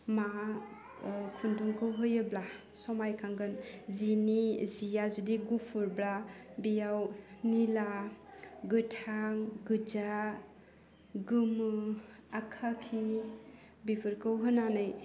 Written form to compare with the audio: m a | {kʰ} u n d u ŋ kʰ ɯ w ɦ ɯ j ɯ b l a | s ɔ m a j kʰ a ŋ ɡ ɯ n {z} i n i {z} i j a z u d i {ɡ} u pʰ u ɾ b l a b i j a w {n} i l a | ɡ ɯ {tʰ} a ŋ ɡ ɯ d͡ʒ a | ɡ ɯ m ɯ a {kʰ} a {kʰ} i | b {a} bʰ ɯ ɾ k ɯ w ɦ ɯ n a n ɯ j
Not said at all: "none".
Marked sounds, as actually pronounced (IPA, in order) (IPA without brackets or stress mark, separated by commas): kʰ, z, z, ɡ, n, tʰ, kʰ, kʰ, i